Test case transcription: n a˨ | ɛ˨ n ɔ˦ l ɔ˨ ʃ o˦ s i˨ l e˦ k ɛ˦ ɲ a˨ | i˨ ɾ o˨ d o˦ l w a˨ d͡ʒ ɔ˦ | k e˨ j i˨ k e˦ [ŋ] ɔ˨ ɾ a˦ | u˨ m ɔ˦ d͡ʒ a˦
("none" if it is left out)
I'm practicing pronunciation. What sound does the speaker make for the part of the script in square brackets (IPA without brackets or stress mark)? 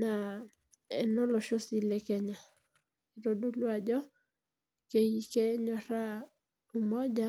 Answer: ɲ